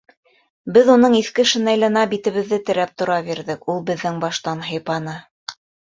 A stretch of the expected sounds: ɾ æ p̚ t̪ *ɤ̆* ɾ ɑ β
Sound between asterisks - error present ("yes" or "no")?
yes